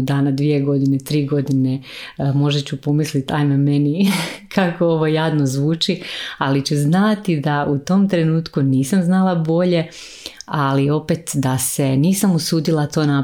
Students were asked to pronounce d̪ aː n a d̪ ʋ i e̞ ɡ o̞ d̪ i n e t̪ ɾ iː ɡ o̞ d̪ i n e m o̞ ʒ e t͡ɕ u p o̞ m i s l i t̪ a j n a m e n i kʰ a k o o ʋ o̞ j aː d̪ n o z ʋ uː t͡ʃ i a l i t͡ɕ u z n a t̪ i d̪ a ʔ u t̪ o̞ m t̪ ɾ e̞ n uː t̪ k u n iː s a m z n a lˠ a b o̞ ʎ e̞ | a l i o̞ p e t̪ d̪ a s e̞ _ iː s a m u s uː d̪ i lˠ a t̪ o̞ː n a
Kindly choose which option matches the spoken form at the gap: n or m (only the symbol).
n